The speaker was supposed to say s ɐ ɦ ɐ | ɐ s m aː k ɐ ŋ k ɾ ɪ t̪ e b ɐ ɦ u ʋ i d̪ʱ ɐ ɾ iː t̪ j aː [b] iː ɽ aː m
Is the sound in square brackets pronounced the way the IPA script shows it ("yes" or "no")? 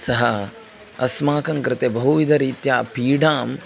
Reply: no